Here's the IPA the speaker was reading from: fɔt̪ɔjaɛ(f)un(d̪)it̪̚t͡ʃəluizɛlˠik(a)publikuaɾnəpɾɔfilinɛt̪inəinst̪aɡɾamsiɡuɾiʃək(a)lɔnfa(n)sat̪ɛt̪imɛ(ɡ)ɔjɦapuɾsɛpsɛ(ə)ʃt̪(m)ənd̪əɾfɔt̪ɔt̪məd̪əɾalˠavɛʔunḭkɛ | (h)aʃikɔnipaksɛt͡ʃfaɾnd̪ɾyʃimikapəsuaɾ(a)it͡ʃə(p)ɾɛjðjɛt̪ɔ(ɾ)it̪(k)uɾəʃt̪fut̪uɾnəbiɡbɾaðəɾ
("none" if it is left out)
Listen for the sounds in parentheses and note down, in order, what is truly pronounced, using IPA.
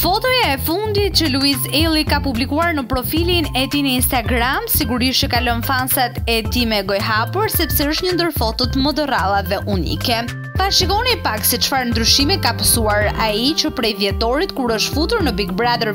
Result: f, d̪, a, a, n, ɡ, ə, ɲ, f, a, p, ɾ, k

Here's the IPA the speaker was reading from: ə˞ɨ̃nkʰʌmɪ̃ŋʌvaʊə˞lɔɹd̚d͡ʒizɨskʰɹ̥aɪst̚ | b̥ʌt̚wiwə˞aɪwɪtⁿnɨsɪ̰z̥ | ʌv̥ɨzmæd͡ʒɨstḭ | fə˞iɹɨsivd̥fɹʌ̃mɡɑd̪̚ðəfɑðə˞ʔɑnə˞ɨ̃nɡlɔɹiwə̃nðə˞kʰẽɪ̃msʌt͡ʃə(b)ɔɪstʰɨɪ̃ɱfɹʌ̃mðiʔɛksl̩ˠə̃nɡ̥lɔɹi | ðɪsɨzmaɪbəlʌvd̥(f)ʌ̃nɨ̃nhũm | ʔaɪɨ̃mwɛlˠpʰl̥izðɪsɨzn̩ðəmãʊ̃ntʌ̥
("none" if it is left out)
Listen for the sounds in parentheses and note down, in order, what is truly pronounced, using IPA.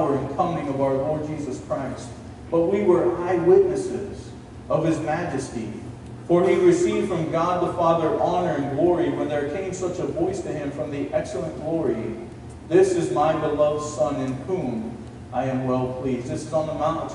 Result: v, s

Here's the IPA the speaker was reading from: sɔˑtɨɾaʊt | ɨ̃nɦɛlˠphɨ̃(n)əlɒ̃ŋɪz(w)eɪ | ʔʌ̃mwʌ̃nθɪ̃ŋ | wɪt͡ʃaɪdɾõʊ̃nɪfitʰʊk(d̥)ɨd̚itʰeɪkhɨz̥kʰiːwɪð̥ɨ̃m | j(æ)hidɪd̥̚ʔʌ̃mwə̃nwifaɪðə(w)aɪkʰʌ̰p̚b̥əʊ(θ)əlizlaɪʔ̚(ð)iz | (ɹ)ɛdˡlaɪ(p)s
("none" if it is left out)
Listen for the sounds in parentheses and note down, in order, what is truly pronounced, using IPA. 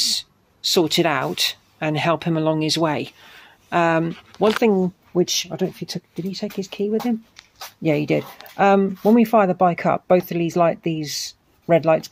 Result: m, w, d̥, æ, b, θ, ð, ɹ, t

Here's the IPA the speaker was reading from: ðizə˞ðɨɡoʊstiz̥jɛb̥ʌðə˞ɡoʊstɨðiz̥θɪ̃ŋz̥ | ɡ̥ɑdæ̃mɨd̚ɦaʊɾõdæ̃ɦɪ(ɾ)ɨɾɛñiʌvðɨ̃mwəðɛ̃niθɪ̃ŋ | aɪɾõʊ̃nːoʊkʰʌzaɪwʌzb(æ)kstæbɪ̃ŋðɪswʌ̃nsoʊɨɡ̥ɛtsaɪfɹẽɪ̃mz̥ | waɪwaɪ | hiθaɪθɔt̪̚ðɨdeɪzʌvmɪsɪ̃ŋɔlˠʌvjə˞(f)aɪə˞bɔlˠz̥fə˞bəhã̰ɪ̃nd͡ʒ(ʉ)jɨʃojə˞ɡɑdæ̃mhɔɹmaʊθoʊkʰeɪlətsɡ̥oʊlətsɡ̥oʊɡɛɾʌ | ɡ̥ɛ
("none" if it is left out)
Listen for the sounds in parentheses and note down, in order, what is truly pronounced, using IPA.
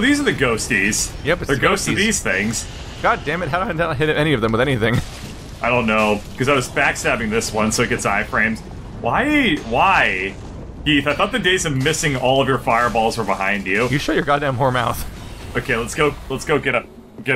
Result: ɾ, æ, f, ʉ

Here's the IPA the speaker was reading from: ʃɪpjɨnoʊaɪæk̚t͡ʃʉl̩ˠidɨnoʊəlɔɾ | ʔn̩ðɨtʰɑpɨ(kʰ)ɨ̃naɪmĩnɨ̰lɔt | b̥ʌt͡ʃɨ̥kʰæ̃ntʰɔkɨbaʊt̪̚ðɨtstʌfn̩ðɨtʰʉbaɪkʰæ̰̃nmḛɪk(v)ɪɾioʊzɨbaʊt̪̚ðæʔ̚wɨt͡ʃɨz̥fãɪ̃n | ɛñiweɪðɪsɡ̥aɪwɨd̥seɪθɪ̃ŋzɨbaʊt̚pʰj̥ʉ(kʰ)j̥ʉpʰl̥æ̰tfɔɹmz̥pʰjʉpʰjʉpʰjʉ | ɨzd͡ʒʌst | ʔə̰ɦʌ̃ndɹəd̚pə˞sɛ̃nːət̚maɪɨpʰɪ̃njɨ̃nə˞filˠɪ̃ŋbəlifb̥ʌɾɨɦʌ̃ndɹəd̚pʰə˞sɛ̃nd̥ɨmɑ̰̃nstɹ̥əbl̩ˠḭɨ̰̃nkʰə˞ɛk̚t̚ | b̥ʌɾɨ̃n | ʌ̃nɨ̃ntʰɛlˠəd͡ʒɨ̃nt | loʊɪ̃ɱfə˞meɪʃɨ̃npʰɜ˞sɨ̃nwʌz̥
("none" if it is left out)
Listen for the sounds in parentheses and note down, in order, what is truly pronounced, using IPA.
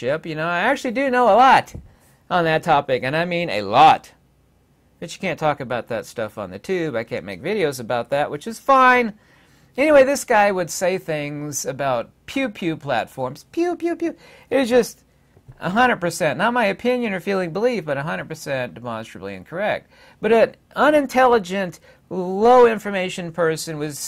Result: k, v, pʰ

